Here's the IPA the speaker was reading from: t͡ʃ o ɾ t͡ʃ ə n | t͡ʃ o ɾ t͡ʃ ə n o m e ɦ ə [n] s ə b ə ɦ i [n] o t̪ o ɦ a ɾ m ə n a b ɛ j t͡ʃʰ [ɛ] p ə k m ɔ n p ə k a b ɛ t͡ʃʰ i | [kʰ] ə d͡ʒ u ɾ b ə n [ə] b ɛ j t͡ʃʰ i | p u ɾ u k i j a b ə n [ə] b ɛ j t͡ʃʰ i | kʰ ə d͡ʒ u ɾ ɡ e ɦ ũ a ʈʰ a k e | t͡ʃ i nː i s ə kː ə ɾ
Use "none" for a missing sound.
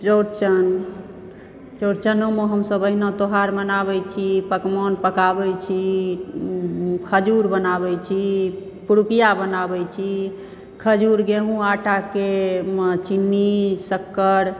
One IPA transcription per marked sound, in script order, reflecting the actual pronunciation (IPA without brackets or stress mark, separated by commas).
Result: m, n, i, kʰ, a, a